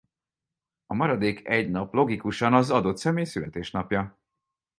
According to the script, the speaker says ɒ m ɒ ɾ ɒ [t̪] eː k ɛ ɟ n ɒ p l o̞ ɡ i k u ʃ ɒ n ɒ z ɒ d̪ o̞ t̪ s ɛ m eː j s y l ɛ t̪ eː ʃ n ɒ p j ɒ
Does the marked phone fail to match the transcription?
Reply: yes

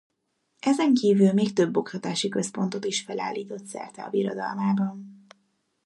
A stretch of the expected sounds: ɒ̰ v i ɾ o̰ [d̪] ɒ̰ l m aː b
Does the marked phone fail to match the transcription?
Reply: no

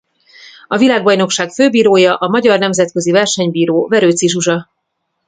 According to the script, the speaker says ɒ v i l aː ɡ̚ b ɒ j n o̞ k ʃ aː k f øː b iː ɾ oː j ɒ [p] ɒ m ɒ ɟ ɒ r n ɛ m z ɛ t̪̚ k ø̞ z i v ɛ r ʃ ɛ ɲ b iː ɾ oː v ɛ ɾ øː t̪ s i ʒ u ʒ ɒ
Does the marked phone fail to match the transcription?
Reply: yes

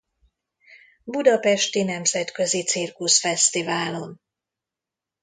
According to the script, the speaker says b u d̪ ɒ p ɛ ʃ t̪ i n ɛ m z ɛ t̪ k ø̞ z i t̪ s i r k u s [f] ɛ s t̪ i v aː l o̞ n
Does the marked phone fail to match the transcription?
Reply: no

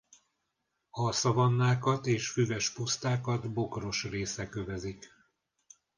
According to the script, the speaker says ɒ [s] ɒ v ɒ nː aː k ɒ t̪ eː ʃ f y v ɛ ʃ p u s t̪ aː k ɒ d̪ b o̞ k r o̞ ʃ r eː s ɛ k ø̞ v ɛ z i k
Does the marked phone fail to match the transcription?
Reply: no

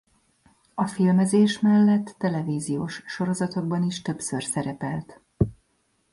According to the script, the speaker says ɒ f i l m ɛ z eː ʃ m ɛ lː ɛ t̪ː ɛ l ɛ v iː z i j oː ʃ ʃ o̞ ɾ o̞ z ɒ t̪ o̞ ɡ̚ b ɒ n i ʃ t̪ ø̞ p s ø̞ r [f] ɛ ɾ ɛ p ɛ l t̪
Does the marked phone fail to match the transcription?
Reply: yes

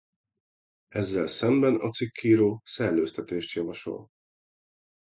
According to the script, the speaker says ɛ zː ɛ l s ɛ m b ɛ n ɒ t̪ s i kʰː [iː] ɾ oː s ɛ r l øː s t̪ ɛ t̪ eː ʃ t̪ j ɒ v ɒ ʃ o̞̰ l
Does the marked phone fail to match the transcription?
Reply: no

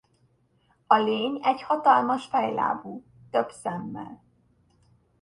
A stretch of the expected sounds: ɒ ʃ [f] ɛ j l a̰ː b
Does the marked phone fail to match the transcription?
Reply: no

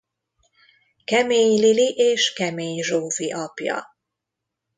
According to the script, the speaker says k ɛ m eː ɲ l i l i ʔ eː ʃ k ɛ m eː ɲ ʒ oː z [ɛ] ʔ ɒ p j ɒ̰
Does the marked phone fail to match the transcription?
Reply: yes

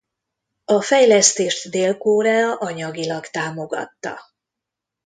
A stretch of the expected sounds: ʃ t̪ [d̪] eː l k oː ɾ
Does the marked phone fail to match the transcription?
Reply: no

